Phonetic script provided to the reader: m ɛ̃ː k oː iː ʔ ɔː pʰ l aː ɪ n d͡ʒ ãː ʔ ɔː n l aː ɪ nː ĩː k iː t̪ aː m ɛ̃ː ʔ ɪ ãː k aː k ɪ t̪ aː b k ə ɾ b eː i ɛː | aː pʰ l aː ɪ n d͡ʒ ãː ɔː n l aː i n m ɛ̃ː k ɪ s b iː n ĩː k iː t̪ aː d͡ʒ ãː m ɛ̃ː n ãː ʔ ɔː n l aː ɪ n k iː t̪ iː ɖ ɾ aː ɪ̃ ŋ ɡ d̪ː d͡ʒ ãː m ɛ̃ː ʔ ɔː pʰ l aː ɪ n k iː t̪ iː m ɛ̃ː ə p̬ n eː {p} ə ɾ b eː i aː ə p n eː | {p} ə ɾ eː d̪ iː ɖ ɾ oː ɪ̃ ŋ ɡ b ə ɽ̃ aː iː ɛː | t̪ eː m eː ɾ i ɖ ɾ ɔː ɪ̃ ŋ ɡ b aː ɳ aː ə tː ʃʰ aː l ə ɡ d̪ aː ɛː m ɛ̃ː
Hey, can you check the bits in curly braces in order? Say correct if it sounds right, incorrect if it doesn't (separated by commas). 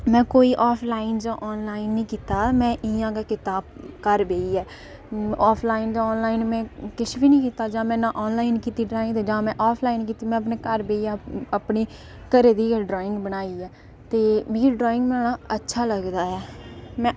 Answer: incorrect, incorrect